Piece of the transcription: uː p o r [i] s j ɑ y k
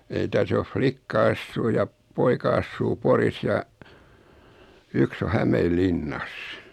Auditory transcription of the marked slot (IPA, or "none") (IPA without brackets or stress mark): i